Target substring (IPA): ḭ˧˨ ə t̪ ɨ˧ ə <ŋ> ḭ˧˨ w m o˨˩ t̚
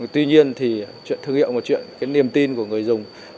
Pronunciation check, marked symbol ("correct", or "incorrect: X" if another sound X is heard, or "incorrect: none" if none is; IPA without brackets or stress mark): correct